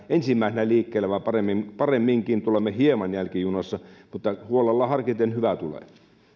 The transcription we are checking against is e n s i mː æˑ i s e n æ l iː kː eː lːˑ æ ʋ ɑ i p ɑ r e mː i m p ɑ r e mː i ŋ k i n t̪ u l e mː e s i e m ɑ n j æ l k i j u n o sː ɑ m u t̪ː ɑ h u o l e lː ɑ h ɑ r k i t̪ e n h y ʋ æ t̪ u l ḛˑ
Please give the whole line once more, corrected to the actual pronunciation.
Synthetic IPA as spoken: e n s i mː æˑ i s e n æ l iː kː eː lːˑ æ ʋ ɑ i p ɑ r e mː i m p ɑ r e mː i ŋ k i n t̪ u l e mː e h i e m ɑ n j æ l k i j u n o sː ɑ m u t̪ː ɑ h u o l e lː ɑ h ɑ r k i t̪ e n h y ʋ æ t̪ u l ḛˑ